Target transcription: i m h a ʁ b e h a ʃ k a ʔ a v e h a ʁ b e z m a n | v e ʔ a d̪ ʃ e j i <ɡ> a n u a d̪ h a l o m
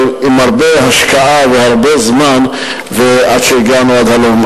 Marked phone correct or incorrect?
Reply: correct